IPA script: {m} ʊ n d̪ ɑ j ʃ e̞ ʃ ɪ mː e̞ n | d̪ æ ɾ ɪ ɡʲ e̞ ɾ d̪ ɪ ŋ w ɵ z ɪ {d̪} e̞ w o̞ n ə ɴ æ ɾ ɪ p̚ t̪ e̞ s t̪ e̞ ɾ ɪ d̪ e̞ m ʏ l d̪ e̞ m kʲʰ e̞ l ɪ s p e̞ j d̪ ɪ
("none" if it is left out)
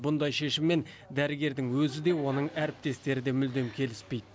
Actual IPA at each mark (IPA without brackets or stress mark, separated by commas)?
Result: b, d̪